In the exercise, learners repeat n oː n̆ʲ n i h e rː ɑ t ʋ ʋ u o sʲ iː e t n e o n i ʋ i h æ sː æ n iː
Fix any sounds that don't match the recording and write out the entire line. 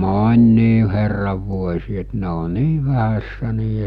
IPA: m oː n̆ʲ n iː h e rː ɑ ʋ ʋ u o sʲ iː e t n e o n iː ʋ æ h æ sː æ n iː